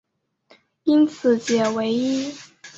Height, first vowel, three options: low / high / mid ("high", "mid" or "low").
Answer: high